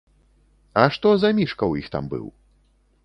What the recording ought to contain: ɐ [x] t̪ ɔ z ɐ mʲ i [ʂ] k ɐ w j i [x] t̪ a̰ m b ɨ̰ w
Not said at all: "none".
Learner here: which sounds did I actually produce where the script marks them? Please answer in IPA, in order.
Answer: ʂ, ʂ, x

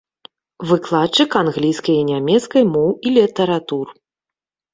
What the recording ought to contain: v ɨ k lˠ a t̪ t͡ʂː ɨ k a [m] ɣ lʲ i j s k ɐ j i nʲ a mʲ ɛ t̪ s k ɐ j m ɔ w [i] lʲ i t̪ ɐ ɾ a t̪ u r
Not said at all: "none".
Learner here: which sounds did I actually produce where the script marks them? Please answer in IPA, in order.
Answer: n, i

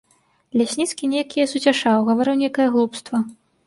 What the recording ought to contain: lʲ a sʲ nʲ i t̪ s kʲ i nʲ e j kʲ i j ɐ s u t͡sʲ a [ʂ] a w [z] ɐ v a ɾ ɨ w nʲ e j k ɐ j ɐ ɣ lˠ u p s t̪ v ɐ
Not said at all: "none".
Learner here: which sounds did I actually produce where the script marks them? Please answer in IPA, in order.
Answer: ʂ, ɣ

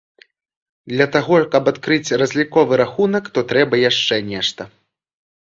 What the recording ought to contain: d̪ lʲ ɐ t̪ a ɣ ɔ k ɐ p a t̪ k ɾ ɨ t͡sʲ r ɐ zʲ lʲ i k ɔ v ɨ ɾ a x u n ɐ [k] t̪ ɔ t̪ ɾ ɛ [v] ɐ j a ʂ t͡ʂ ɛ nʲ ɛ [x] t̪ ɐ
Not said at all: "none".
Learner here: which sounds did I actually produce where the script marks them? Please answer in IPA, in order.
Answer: k, b, ʂ

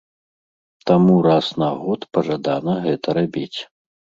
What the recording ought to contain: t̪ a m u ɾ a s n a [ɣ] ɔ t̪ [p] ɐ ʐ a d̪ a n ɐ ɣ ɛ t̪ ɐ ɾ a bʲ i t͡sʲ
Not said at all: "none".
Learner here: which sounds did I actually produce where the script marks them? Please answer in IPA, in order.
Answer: ɣ, p

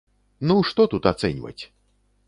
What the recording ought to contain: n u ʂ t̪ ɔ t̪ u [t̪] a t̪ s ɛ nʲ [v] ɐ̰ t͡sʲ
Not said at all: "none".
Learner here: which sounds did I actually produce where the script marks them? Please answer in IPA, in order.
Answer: t̪, v

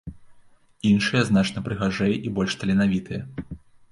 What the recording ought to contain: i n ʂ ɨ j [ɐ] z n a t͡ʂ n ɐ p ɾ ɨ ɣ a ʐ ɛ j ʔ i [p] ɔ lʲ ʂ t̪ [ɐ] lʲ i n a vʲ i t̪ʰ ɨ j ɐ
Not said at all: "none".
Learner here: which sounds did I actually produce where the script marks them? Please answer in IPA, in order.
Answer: ɐ, b, ɐ

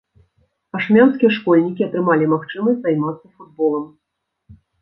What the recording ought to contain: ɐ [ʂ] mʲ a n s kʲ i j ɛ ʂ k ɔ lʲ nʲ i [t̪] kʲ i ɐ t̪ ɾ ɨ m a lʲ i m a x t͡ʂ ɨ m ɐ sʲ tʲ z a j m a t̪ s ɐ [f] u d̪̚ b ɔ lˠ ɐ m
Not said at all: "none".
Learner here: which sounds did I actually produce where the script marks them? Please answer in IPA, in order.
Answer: ʂ, none, f

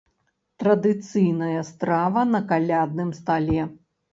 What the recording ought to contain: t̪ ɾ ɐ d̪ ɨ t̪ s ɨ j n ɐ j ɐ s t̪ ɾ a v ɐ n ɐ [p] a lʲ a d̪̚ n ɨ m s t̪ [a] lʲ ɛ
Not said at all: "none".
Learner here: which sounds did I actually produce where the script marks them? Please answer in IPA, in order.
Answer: k, a

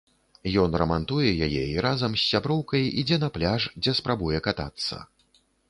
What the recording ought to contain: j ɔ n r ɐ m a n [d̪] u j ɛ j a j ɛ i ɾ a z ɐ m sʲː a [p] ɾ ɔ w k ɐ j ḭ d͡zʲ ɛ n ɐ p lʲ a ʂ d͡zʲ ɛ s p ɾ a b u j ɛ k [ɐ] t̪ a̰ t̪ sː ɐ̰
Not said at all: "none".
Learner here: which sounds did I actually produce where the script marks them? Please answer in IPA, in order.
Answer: t̪, b, a

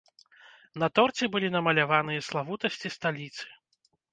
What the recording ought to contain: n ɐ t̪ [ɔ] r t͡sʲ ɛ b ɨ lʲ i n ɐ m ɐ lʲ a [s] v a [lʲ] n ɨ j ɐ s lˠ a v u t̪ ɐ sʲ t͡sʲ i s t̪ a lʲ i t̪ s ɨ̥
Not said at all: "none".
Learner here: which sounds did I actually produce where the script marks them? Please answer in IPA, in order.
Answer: ɔ, none, none

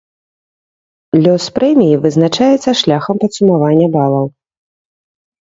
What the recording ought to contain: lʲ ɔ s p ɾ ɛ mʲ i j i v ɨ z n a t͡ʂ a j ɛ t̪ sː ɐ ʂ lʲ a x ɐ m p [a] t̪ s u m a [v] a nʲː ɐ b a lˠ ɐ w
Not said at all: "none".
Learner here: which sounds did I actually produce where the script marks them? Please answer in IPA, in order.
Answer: ɐ, v

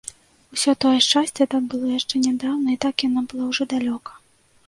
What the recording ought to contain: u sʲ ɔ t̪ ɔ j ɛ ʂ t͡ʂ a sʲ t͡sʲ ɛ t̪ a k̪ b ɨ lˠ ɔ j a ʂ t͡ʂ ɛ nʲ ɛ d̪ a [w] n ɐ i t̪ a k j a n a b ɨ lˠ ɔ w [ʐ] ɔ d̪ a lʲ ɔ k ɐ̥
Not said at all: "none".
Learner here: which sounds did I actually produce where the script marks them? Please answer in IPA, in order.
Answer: w, ʐ

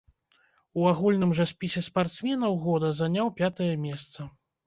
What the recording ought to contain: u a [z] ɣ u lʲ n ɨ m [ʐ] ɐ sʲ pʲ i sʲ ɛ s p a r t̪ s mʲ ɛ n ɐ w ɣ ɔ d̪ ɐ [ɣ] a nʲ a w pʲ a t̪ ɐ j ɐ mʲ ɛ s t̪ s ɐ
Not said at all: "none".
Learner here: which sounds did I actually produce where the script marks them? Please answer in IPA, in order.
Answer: none, ʐ, z

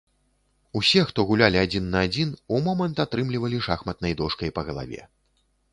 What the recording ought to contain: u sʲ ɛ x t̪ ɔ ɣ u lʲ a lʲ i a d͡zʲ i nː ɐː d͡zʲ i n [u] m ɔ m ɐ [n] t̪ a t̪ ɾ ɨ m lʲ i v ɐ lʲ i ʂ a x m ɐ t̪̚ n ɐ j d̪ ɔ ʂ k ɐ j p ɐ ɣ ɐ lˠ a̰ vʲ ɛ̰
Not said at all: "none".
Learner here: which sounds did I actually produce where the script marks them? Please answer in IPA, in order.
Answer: u, n

